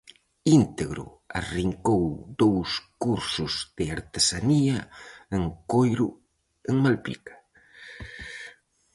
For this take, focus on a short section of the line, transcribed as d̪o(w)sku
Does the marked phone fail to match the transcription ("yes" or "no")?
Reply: no